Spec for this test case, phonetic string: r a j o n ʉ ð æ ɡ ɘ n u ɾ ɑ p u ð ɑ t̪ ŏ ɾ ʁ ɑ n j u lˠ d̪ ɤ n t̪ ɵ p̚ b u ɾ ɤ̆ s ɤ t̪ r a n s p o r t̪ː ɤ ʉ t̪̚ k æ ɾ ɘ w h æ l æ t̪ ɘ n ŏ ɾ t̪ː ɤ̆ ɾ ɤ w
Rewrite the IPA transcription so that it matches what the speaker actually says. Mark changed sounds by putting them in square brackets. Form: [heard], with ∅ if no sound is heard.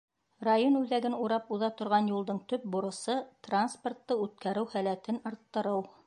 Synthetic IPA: r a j o n ʉ ð æ ɡ ɘ n u ɾ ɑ p u ð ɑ t̪ ŏ ɾ ʁ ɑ n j u lˠ d̪ ɤ [ɴ] t̪ ɵ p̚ b u ɾ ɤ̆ s ɤ t̪ r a n s p o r t̪ː ɤ ʉ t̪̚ k æ ɾ ɘ w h æ l æ t̪ ɘ n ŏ ɾ t̪ː ɤ̆ ɾ ɤ w